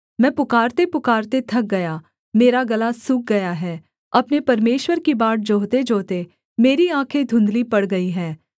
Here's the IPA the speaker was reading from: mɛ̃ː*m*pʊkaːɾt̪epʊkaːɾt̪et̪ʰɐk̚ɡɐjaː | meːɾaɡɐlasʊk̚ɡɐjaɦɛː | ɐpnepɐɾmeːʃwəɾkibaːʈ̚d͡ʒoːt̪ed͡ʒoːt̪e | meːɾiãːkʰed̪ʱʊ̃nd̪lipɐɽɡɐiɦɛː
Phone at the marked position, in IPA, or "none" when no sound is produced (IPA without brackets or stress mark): none